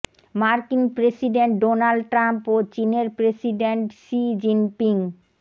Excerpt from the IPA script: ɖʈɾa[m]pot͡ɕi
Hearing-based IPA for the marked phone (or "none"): m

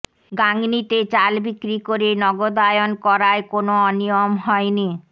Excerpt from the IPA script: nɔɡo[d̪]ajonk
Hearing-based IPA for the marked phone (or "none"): d̪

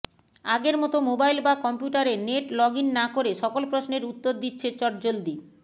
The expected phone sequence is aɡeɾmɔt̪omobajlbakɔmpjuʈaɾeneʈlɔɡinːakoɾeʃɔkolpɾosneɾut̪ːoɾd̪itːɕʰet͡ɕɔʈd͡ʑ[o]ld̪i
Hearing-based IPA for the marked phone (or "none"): o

